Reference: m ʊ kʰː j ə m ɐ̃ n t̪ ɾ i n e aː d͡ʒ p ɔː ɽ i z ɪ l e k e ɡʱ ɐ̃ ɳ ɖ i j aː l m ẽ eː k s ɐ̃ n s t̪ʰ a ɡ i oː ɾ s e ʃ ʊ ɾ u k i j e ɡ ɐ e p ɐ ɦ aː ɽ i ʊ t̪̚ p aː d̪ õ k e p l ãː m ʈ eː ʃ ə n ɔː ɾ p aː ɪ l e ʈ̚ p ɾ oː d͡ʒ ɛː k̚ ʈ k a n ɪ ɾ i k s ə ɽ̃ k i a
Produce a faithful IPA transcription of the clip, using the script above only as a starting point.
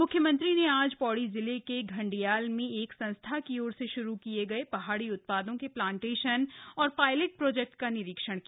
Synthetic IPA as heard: m ʊ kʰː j ə m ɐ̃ n t̪ ɾ i n e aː d͡ʒ p ɔː ɽ i z ɪ l e k e ɡʱ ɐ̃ ɳ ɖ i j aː l m ẽ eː k s ɐ̃ n s t̪ʰ a k i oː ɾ s e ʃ ʊ ɾ u k i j e ɡ ɐ e p ɐ ɦ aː ɽ i ʊ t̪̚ p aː d̪ õ k e p l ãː ɳ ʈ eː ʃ ə n ɔː ɾ p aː ɪ l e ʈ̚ p ɾ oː d͡ʒ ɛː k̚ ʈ k a n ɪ ɾ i k ʃ ə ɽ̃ k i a